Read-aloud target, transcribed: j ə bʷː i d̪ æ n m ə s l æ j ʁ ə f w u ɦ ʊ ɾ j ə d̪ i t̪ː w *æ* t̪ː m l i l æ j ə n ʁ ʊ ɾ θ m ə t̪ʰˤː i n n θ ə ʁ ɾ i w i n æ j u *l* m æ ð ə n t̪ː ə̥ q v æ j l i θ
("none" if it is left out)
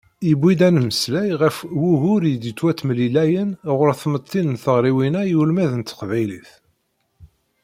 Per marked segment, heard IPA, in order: æ, l

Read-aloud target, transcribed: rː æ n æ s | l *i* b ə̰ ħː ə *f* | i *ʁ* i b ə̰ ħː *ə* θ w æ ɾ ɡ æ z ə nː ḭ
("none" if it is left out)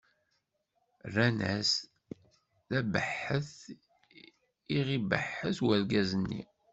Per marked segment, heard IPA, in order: æ, θ, ʁ, ə

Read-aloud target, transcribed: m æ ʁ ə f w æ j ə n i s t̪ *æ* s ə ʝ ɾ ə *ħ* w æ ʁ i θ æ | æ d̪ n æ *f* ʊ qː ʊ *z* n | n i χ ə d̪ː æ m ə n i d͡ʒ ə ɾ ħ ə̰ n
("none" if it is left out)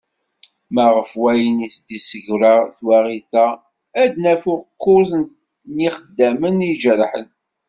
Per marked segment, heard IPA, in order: i, θ, f, z

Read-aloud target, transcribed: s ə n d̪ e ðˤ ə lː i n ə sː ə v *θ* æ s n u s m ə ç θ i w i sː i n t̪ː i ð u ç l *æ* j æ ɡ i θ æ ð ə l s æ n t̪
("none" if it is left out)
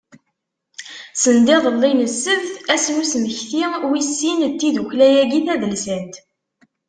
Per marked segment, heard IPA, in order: θ, æ

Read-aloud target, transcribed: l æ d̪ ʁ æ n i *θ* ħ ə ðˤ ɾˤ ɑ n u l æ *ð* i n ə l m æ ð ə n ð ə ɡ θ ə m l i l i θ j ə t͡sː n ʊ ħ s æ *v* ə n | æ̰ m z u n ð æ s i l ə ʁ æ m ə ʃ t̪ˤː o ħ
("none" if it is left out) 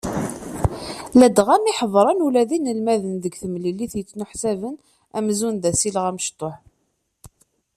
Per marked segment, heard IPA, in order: none, ð, v

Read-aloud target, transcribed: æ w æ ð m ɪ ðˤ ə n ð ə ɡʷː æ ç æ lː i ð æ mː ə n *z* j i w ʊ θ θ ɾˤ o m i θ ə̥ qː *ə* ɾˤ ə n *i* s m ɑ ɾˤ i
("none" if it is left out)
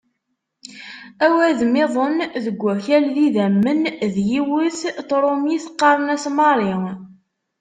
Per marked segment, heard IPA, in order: ð, ɑ, æ

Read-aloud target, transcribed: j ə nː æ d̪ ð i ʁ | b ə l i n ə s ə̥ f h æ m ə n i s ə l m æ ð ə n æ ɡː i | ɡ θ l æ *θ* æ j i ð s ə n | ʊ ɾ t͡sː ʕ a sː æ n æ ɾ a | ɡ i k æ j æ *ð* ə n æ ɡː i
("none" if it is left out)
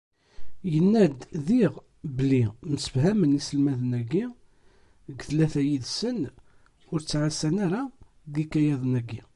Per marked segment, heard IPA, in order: θ, ð

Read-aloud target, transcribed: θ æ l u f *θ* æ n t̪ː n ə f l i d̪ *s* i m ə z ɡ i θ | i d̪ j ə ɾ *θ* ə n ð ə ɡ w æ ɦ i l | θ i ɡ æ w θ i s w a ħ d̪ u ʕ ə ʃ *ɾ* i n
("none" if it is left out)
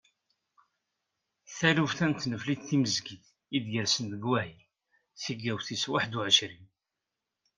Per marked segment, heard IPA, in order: θ, θ, s, ɾ

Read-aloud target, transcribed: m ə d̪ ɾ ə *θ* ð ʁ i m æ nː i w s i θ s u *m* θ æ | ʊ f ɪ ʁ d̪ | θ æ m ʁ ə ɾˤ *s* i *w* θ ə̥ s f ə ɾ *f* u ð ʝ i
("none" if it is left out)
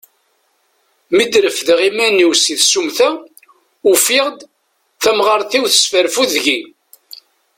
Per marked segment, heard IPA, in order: f, m, θ, w, f

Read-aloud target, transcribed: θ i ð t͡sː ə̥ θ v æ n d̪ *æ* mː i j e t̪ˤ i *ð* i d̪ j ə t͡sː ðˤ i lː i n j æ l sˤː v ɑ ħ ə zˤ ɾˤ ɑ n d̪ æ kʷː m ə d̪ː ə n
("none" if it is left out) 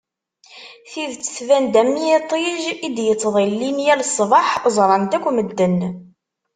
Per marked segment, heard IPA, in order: æ, ʒ

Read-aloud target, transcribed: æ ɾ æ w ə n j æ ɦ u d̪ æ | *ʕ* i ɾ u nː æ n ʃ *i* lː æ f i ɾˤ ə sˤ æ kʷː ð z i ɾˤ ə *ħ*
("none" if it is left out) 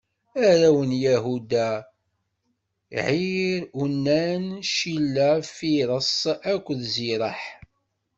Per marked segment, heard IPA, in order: ʕ, i, ħ

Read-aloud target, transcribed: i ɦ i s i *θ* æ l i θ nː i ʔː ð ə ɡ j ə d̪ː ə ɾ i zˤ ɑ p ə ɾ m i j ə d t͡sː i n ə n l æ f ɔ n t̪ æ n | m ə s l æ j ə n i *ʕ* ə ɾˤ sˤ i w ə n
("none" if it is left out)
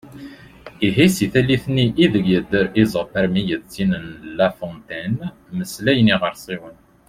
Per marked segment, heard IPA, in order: θ, ʁ

